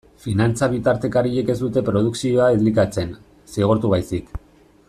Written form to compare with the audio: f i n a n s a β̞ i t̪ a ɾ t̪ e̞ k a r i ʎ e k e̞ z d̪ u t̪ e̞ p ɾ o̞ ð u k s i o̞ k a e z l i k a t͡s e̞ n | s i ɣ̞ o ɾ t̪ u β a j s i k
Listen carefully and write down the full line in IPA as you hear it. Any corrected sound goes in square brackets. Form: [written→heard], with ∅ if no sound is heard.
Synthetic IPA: f i n a n [s→t͡s] a β̞ i t̪ a ɾ t̪ e̞ k a [r→ɾ] i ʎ e k e̞ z d̪ u t̪ e̞ p ɾ o̞ ð u k s i o̞ [k→∅] a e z l i k a t͡s e̞ n | s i ɣ̞ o ɾ t̪ u β a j s i k